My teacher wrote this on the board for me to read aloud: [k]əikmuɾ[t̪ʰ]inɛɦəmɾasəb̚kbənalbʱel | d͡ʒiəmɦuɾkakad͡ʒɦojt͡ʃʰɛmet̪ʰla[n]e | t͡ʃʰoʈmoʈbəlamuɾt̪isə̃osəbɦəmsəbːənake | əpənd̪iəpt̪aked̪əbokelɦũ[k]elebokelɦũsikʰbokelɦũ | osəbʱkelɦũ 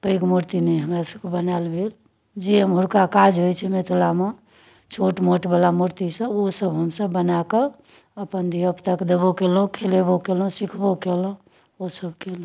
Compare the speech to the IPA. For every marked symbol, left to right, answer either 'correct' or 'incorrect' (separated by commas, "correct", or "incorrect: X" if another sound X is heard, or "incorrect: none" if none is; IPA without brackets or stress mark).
incorrect: p, incorrect: t̪, incorrect: m, incorrect: kʰ